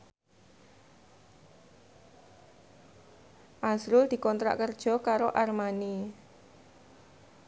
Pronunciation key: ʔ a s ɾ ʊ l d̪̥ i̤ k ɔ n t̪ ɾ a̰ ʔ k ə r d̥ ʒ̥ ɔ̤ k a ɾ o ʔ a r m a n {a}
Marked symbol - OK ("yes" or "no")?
no